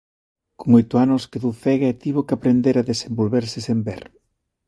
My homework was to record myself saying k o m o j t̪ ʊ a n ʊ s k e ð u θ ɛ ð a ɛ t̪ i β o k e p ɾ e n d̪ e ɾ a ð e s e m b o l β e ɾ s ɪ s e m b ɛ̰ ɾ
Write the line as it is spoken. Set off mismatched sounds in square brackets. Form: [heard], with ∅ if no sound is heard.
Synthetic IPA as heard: k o [ŋ] o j t̪ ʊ a n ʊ s k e ð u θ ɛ [ɣ] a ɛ t̪ i β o k [a] p ɾ e n d̪ e ɾ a ð e s e m b o l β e ɾ s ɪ s e m b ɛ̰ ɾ